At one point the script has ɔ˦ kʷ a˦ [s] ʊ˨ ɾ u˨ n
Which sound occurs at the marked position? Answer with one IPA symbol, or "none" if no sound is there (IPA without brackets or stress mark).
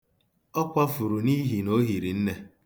f